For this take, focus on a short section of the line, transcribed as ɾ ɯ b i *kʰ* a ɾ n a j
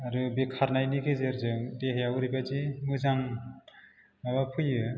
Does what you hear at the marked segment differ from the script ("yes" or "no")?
no